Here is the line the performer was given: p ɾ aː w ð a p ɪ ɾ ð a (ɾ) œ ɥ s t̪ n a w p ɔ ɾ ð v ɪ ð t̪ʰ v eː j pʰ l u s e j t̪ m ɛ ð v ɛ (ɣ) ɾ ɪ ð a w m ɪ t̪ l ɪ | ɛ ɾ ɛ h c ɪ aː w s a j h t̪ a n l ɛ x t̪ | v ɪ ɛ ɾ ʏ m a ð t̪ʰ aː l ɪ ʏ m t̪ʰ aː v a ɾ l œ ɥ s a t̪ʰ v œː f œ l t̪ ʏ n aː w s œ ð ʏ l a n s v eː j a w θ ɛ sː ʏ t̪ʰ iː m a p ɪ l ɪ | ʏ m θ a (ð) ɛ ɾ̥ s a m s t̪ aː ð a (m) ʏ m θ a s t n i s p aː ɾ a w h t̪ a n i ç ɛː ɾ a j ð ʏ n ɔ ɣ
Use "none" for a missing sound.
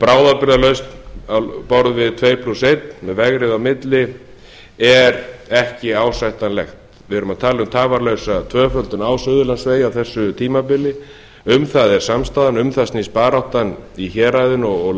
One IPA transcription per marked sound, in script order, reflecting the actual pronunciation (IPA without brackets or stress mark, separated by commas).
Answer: l, ɣ, ð, n